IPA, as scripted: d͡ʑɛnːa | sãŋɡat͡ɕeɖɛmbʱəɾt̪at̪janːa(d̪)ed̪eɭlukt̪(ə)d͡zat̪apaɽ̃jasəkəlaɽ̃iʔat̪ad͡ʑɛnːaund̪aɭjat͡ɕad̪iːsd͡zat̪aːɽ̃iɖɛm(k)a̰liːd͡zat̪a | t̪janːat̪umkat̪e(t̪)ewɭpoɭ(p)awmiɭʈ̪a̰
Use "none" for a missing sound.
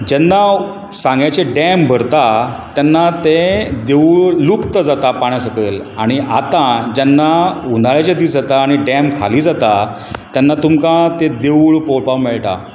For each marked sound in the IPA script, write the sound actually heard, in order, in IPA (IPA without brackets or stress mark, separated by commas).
t̪, ə, kʰ, d̪, p